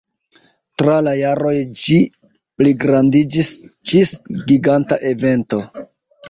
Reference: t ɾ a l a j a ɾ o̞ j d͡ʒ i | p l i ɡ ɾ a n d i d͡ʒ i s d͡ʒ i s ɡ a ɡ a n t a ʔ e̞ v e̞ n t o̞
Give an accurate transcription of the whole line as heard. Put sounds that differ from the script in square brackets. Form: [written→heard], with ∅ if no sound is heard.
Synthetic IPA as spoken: t ɾ a l a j a ɾ o̞ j d͡ʒ i | p l i ɡ ɾ a n d i d͡ʒ i s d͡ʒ i s ɡ [a→i] ɡ a n t a ʔ e̞ v e̞ n t o̞